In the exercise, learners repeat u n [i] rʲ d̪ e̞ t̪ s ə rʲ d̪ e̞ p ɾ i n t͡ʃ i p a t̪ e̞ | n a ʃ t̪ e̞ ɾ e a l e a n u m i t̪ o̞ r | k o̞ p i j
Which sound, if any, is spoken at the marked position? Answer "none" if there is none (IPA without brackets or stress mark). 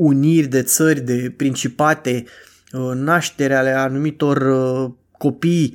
i